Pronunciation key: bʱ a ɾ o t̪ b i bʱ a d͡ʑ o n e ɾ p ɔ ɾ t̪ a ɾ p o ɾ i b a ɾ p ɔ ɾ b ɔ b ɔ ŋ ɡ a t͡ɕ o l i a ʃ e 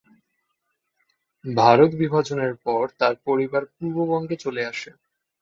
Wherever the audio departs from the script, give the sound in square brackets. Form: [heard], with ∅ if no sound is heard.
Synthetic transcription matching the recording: bʱ a ɾ o t̪ b i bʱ a d͡ʑ o n e ɾ p ɔ ɾ t̪ a ɾ p o ɾ i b a ɾ p [u] ɾ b [o] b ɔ ŋ ɡ [e] t͡ɕ o l [e] a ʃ e